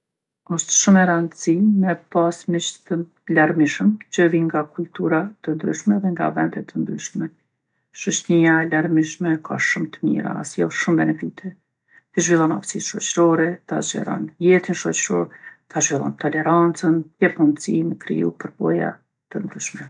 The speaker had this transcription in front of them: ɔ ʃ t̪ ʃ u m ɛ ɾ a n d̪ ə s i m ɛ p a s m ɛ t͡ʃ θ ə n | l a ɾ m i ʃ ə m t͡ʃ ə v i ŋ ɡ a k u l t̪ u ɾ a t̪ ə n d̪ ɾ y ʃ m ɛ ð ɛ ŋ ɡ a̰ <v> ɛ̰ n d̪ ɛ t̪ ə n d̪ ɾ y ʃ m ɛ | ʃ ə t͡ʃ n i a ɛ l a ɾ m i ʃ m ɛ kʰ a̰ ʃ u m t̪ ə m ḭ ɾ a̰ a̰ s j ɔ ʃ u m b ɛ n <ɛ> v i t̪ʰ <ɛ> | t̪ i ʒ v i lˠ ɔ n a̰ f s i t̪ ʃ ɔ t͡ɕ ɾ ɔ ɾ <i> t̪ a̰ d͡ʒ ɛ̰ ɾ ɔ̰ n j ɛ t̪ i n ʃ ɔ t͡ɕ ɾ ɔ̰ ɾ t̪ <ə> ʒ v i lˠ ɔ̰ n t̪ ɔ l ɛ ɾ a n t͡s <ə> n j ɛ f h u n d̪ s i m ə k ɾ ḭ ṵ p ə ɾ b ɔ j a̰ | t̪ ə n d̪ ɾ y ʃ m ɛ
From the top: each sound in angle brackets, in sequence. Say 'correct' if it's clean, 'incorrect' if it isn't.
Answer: correct, correct, correct, incorrect: ɛ, incorrect: a, correct

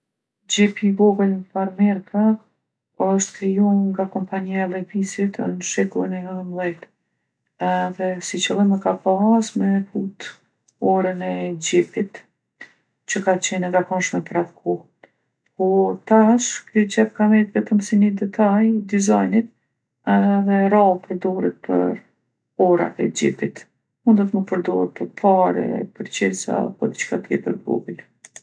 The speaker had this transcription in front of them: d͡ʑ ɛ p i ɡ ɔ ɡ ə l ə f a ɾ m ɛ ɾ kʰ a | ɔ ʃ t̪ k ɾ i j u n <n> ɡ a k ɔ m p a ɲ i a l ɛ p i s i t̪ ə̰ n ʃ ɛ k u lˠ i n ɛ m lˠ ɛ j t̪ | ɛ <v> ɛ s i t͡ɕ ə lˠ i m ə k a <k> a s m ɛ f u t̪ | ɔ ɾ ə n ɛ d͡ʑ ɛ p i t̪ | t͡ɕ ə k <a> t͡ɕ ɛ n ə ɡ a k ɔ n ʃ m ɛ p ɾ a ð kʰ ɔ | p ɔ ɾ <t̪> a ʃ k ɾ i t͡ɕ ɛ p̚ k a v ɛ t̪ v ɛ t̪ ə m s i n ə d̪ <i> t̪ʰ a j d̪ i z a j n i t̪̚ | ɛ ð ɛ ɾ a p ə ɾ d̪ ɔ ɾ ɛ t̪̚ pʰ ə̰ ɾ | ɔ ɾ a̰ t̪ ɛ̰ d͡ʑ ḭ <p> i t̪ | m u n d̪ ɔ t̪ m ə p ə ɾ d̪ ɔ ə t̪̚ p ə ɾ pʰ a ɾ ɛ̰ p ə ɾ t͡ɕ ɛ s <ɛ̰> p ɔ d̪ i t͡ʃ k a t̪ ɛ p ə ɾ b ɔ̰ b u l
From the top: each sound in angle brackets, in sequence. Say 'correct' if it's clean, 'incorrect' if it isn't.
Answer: incorrect: ŋ, incorrect: ð, incorrect: p, correct, correct, incorrect: ɛ, correct, incorrect: a̰

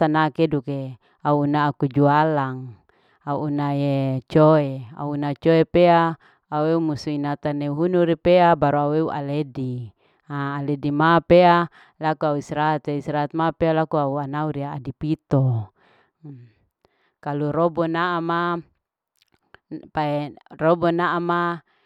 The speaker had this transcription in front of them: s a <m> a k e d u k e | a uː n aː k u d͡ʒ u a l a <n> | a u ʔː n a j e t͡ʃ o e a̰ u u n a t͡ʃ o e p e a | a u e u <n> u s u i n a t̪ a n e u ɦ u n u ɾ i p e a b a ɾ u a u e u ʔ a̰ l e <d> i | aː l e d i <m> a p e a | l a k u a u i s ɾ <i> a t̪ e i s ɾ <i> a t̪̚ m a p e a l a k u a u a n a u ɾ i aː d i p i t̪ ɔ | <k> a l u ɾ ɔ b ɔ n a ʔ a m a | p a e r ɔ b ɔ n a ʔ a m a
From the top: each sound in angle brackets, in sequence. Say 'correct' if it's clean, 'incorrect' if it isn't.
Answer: incorrect: n, incorrect: ŋ, incorrect: m, correct, correct, incorrect: a, incorrect: a, correct

